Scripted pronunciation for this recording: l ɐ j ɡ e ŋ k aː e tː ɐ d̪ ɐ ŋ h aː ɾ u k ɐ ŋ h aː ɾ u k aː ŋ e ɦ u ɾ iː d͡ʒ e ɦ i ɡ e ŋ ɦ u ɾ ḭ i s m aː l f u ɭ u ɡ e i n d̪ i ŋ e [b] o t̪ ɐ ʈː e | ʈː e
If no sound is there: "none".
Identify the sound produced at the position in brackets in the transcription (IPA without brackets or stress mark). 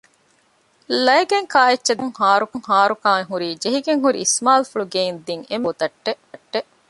m